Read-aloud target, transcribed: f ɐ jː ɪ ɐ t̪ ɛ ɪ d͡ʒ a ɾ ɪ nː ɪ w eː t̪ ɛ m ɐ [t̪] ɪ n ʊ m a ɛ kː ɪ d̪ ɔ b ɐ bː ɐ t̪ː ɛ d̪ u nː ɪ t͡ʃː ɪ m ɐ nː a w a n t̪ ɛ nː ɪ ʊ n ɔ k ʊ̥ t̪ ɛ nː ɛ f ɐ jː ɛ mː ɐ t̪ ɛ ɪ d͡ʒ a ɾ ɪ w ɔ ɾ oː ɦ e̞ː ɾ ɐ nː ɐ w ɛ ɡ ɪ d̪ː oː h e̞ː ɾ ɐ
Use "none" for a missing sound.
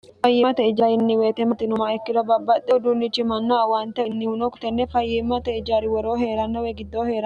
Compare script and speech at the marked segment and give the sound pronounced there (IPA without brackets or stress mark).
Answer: t̪